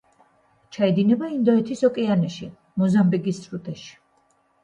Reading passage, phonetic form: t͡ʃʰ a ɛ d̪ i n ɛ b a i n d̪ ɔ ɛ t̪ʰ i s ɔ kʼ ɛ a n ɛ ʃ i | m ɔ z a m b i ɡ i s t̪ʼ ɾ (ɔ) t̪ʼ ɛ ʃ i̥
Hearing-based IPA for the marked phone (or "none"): u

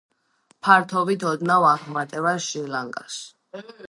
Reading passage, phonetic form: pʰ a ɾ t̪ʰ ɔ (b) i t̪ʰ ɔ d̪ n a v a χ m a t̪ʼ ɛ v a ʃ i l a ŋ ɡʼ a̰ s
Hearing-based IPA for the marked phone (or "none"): v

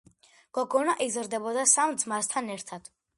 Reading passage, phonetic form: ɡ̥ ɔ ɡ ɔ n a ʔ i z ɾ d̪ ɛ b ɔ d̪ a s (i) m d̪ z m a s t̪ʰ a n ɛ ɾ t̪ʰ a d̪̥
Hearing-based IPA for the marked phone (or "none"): a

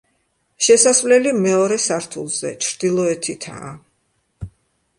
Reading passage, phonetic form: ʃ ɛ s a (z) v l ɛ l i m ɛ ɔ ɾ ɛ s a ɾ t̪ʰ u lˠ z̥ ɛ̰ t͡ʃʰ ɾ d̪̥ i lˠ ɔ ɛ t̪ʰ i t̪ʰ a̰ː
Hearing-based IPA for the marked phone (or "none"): s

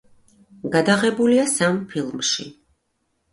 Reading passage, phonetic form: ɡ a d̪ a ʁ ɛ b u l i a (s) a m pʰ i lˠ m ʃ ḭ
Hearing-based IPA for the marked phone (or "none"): s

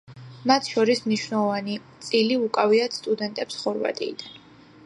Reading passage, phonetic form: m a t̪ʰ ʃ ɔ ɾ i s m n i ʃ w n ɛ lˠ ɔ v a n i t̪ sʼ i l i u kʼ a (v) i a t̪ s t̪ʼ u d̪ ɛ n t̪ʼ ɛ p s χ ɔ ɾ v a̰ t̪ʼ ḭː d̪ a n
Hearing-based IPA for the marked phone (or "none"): v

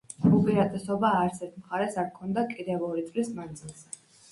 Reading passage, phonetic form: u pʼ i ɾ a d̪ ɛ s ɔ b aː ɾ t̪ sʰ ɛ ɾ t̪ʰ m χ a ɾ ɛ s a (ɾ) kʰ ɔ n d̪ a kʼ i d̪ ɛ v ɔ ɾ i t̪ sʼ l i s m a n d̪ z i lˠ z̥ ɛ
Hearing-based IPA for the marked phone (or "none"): ɾ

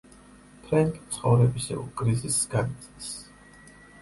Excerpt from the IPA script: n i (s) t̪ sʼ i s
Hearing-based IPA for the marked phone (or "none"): none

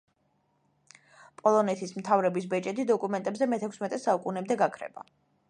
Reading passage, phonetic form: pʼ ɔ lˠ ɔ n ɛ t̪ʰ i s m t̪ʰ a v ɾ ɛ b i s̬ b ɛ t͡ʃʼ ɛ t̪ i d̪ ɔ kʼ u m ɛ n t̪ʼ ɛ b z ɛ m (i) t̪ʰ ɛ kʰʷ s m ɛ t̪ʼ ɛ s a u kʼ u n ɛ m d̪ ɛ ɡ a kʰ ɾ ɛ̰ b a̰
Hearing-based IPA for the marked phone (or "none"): ɛ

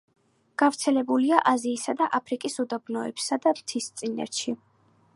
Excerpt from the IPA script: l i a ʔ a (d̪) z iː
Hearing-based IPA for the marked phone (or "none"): none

